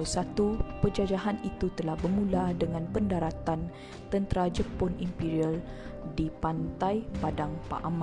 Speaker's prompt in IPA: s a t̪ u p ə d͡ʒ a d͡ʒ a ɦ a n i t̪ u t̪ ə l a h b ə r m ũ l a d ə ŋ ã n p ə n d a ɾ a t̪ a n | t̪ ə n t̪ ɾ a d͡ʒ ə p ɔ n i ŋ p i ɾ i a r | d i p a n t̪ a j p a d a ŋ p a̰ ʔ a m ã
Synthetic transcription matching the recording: s a t̪ u p ə d͡ʒ a d͡ʒ a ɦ a n i t̪ u t̪ ə l a h b ə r m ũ l a d ə ŋ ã n p ə n d a ɾ a t̪ a n | t̪ ə n t̪ ɾ a d͡ʒ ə p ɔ n i m p i ɾ i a l | d i p a n t̪ a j p a d a ŋ p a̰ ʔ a m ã